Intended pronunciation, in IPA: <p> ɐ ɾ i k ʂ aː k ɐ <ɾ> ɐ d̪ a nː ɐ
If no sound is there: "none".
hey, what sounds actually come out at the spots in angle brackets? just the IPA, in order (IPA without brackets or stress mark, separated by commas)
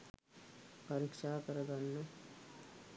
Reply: p, ɾ